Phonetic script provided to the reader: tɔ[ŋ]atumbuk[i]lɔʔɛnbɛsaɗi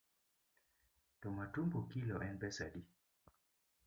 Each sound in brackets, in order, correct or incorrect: incorrect, correct

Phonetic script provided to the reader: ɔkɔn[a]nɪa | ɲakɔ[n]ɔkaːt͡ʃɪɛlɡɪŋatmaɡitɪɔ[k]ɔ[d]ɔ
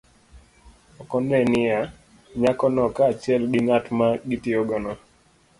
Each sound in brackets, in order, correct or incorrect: incorrect, correct, incorrect, incorrect

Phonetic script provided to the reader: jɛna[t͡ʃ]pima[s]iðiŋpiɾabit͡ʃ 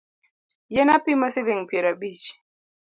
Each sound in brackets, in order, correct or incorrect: incorrect, correct

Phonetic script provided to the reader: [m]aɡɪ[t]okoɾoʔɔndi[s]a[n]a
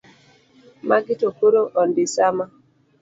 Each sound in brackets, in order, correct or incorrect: correct, correct, correct, incorrect

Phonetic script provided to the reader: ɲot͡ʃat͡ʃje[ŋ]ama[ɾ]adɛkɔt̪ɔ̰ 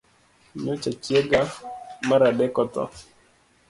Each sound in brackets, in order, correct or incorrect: incorrect, correct

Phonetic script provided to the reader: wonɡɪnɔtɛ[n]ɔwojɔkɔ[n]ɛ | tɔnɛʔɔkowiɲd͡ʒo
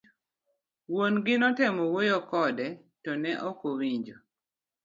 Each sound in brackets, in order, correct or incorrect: incorrect, incorrect

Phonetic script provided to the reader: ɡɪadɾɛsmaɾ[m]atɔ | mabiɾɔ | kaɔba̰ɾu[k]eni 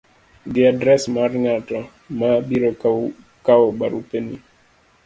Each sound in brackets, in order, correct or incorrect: incorrect, incorrect

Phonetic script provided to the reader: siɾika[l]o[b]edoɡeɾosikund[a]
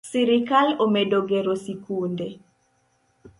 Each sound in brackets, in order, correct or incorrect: correct, incorrect, incorrect

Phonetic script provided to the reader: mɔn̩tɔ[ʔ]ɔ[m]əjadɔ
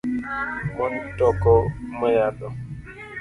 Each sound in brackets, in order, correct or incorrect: incorrect, correct

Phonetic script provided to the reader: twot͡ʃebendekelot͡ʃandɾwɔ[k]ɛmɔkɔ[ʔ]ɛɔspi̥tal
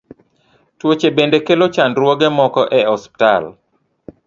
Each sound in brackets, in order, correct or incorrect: incorrect, correct

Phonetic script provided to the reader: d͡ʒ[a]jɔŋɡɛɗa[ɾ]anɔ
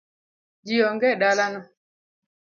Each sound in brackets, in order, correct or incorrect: incorrect, incorrect

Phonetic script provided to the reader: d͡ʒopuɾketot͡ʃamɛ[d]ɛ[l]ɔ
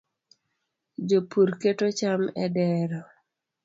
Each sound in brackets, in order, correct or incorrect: correct, incorrect

